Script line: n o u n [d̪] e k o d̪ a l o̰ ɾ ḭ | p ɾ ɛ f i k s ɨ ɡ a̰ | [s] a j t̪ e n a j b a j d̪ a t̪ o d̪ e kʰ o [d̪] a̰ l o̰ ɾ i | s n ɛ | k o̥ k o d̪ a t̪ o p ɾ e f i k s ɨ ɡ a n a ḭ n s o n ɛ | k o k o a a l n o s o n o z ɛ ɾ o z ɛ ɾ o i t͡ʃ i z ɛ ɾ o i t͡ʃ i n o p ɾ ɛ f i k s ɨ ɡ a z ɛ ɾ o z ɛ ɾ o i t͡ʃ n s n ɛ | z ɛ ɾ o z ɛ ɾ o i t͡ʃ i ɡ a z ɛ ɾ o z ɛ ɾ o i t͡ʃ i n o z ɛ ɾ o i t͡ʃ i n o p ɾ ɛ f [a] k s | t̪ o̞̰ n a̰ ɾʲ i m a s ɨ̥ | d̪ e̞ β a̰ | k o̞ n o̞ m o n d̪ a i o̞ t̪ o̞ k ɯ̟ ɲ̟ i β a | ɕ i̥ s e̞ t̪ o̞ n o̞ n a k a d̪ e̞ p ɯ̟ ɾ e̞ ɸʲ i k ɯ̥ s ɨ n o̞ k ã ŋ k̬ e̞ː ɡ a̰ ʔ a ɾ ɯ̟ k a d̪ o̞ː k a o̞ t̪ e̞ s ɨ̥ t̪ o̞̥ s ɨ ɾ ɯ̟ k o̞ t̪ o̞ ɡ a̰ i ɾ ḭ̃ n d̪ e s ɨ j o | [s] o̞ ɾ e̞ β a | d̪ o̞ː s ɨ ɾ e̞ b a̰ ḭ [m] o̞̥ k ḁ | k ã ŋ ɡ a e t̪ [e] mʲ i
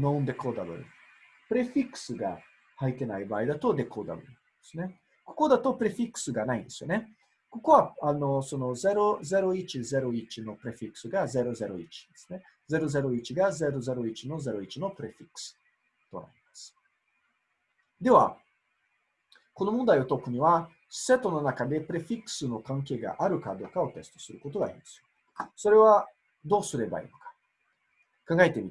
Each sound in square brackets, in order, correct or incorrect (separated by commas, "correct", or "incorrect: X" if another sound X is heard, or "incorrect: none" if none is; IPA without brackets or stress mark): correct, incorrect: h, correct, incorrect: i, correct, incorrect: n, correct